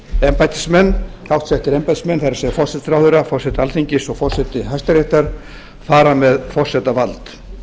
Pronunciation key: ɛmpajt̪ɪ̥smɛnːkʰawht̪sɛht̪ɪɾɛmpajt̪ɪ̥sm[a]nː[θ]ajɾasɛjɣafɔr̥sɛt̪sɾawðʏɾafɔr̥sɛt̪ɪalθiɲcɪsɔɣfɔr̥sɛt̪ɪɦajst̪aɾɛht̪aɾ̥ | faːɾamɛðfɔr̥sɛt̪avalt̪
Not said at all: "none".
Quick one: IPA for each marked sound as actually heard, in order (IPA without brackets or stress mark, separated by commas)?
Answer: ɛ, θ